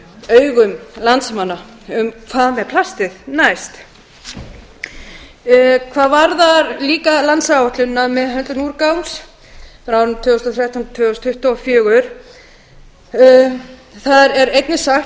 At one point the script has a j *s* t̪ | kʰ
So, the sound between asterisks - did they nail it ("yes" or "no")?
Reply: yes